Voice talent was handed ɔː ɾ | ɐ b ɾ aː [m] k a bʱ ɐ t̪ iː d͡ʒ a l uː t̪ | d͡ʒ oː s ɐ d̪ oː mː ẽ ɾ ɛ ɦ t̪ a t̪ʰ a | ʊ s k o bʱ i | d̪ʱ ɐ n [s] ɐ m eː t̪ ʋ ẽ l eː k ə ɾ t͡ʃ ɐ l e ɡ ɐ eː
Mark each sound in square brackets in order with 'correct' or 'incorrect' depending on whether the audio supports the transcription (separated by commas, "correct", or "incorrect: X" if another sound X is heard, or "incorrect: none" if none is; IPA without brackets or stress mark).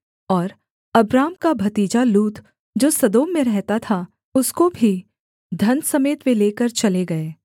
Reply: correct, correct